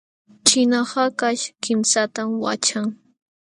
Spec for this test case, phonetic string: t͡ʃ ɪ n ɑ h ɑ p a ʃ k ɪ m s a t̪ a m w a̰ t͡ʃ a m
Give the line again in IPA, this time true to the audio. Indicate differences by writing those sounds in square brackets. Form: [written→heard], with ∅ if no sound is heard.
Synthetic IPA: t͡ʃ ɪ n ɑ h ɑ [p→k] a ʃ k ɪ m s a t̪ a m w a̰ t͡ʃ a [m→ŋ]